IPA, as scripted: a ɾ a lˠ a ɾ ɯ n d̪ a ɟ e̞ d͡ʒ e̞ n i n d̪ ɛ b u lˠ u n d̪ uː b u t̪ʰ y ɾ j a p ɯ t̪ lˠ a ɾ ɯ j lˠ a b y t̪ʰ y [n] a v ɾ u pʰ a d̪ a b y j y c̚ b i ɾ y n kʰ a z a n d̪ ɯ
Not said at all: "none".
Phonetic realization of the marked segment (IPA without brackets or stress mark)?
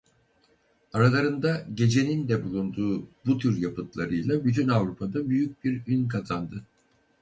n